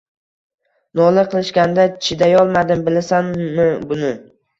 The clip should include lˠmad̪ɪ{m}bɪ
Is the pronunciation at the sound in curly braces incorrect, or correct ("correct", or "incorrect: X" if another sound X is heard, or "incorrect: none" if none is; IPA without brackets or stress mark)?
correct